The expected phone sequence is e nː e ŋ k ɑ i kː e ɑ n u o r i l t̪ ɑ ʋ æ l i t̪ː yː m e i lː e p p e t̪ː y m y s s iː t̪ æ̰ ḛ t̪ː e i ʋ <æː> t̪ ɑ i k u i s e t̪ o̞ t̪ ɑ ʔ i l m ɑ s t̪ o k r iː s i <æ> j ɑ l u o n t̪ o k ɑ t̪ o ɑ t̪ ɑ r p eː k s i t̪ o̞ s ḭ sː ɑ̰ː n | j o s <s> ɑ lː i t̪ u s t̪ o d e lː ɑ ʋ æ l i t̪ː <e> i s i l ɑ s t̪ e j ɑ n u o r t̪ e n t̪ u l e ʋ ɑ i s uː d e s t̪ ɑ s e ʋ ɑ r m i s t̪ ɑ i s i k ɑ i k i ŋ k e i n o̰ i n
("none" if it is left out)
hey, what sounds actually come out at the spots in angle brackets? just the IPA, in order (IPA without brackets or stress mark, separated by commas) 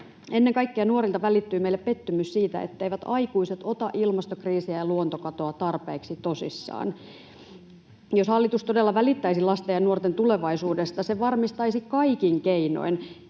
æ, æ, h, æ